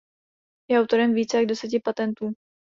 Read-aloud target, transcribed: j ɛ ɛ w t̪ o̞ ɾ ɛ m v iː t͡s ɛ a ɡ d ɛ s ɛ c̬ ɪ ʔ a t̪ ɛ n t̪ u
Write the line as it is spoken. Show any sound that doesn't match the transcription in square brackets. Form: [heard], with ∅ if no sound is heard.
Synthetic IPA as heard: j ɛ [a] w t̪ o̞ ɾ ɛ m v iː t͡s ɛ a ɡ d ɛ s ɛ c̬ ɪ [p] a t̪ ɛ n t̪ [uː]